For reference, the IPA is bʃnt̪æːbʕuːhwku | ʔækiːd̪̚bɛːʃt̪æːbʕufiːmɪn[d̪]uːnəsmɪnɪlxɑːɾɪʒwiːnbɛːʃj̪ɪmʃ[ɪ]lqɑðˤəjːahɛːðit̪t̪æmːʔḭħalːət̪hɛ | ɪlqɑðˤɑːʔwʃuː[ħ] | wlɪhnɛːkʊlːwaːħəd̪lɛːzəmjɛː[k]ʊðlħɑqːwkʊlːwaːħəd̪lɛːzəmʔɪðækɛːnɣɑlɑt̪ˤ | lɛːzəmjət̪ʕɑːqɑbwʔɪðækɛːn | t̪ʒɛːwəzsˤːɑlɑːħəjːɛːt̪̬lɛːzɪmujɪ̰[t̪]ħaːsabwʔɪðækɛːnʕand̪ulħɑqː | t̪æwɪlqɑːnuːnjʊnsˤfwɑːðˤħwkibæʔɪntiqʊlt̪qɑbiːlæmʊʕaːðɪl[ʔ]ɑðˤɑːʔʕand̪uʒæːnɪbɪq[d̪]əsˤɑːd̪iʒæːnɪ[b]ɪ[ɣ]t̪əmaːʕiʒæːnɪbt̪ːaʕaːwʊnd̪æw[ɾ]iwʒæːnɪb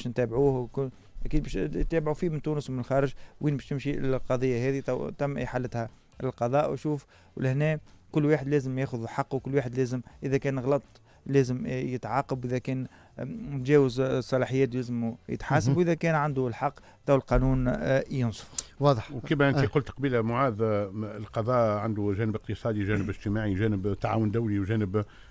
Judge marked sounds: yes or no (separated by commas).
no, no, no, no, yes, no, no, yes, no, no